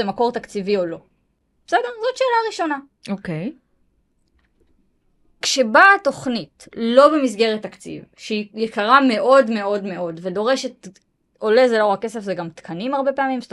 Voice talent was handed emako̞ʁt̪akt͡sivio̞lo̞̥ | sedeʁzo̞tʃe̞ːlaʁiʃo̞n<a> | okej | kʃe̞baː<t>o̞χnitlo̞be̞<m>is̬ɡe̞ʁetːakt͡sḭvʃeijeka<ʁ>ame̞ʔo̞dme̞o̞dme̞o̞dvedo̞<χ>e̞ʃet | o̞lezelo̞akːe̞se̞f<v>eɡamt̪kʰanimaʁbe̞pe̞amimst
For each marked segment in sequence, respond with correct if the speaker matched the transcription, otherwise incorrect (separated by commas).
correct, correct, correct, correct, incorrect, incorrect